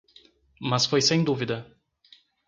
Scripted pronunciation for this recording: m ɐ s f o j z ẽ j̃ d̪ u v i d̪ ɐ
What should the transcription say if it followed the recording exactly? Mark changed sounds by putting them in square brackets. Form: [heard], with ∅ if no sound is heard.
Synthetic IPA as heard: m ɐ s f o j [s] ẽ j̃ d̪ u v i d̪ ɐ